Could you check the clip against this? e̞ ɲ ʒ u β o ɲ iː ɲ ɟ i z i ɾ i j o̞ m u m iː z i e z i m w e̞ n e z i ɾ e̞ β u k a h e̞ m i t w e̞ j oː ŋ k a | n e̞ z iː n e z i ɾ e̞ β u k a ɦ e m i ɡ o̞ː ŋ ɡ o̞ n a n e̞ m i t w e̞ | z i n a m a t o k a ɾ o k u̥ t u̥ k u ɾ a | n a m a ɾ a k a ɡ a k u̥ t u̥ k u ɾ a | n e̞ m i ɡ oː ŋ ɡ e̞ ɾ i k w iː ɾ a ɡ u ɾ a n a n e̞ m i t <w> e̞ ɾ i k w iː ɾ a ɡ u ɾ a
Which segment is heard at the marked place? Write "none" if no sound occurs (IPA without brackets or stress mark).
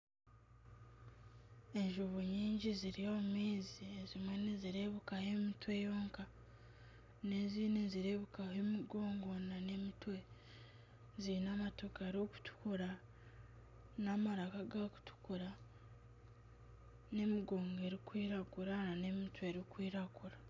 w